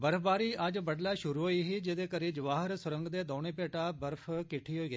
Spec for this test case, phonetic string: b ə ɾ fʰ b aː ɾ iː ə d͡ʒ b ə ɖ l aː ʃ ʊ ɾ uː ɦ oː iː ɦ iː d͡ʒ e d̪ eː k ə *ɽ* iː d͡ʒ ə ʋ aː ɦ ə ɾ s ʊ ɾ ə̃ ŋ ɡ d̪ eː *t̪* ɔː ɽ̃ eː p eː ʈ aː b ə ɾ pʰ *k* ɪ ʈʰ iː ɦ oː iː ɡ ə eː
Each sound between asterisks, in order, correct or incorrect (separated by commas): incorrect, incorrect, correct